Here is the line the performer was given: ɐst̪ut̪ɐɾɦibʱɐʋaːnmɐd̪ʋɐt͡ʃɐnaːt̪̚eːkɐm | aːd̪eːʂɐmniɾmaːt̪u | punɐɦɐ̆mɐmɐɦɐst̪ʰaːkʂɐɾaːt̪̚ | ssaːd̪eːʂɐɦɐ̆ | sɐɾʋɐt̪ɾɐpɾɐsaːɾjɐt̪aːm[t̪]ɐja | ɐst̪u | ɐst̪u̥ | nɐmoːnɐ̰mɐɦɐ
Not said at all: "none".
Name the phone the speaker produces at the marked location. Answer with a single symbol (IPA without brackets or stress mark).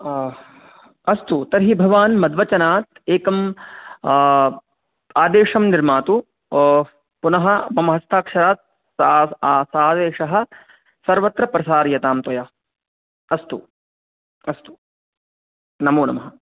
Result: t̪